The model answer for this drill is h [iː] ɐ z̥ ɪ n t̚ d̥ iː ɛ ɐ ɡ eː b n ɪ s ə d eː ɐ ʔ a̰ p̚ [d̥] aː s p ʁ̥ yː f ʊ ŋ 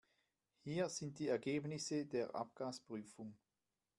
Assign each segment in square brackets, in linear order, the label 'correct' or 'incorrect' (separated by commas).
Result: correct, incorrect